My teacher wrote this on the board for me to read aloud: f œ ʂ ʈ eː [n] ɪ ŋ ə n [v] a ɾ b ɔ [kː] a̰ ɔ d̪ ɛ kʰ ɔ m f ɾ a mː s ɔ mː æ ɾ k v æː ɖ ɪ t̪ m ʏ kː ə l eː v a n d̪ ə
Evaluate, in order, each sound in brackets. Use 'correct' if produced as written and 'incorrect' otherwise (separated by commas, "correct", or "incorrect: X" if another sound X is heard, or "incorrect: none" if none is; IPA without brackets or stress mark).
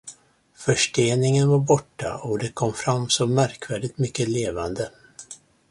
correct, correct, incorrect: ʈː